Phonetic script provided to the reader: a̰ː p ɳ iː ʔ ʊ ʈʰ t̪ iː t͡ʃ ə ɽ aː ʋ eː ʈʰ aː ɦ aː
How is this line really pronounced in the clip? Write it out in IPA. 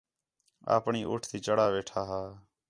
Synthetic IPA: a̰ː p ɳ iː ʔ ʊ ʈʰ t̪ iː t͡ʃ ə ɽ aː ʋ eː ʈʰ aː ɦ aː